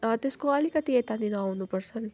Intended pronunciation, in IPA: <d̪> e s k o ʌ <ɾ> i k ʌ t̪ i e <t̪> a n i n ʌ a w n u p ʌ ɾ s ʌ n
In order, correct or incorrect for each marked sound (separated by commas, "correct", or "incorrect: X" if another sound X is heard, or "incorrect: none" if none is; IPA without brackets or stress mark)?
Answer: incorrect: t̪, incorrect: l, correct